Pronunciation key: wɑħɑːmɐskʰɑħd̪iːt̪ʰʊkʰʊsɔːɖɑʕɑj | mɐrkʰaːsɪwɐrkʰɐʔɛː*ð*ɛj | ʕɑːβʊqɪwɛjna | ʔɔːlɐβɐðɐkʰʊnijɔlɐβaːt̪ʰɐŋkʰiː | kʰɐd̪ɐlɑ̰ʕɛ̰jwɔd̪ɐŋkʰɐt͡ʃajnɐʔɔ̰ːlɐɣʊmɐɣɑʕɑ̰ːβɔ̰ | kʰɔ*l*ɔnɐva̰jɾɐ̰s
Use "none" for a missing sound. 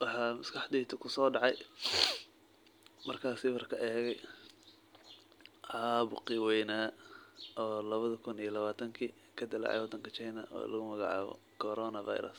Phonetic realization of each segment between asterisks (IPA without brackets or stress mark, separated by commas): ɣ, ɾ